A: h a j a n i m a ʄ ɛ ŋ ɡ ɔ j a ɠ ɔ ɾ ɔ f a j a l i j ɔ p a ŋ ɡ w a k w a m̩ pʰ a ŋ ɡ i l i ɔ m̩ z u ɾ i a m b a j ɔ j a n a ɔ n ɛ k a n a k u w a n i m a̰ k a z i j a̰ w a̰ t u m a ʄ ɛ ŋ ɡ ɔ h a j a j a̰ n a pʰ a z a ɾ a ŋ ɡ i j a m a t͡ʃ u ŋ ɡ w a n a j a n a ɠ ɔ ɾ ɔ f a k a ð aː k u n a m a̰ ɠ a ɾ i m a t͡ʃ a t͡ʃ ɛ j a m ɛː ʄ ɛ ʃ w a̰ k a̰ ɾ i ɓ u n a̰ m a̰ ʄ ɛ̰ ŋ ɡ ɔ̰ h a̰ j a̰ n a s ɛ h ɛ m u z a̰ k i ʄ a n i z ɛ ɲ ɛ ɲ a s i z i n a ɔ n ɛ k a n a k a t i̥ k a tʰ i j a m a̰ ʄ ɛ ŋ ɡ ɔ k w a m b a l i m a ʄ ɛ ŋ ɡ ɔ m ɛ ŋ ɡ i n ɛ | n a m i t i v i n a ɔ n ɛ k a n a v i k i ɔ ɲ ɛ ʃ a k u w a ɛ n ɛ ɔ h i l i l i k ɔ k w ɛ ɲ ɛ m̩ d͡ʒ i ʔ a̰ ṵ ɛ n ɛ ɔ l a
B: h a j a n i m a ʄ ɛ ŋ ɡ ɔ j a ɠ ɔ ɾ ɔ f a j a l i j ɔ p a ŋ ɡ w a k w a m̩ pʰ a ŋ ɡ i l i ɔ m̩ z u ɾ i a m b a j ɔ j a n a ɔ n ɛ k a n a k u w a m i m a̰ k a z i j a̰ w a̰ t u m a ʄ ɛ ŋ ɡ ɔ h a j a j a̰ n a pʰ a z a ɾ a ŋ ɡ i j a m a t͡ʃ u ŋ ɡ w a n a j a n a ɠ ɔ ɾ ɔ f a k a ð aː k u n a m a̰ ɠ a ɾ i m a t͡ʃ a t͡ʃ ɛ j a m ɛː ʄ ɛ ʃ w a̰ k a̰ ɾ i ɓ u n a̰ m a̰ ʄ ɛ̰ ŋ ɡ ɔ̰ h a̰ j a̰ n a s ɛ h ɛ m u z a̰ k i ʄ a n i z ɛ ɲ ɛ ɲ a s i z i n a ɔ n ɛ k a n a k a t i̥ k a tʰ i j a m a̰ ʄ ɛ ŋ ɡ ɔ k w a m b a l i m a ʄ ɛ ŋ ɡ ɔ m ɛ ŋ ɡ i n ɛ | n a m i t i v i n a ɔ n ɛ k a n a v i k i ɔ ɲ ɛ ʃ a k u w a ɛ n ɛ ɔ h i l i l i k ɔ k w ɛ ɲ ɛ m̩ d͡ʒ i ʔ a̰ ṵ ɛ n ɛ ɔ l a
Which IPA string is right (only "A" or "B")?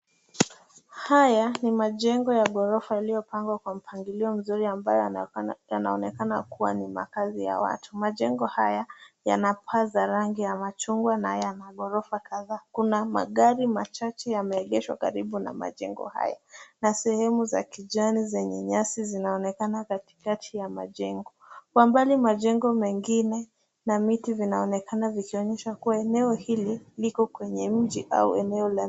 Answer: A